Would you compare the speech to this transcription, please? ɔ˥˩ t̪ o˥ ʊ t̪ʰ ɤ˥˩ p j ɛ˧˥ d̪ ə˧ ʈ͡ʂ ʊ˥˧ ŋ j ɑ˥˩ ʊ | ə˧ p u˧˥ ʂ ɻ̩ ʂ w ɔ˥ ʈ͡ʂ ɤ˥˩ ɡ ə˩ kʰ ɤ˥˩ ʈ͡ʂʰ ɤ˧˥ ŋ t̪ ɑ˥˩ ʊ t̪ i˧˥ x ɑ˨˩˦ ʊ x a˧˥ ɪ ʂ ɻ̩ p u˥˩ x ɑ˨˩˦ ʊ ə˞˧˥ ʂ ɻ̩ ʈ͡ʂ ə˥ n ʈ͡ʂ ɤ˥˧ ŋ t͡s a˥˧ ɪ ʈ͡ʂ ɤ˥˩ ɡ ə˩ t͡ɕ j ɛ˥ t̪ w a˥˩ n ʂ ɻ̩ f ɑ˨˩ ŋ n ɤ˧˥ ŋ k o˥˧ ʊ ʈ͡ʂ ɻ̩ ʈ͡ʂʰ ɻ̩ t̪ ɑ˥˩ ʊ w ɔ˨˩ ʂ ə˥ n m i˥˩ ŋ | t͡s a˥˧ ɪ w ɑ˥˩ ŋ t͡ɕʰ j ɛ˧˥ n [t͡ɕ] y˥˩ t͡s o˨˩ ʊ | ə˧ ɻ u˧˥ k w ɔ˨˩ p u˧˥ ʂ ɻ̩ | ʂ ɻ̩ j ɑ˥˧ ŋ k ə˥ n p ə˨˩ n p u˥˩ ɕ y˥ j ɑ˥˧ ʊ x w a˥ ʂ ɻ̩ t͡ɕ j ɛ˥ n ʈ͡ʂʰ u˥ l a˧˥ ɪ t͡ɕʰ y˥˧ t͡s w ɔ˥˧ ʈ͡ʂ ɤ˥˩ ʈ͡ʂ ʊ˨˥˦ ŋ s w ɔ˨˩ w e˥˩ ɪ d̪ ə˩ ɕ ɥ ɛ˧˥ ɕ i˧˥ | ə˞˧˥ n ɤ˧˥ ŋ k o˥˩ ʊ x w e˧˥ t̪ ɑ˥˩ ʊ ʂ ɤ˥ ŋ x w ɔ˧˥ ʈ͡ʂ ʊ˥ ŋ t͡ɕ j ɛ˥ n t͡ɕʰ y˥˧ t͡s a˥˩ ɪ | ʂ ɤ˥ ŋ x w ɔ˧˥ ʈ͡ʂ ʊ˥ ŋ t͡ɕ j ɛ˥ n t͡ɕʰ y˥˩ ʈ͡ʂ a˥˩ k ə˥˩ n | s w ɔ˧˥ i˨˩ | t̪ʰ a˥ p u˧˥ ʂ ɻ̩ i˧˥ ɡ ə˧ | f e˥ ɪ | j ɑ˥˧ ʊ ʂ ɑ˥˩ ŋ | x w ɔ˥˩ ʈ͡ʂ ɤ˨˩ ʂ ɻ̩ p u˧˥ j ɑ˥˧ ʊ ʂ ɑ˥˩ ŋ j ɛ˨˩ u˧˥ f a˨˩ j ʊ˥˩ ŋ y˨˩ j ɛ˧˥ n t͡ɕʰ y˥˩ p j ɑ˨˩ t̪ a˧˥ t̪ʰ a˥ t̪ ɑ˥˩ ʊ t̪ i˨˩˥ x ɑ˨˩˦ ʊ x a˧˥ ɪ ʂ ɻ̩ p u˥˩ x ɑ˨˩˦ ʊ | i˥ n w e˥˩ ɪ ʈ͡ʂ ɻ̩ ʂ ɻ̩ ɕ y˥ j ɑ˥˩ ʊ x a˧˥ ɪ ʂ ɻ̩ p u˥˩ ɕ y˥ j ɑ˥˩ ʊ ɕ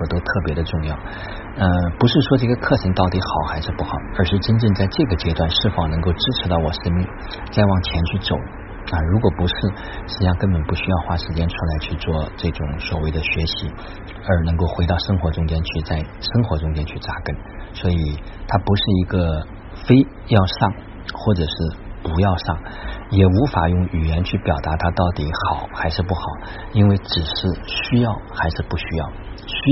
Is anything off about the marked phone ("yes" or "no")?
yes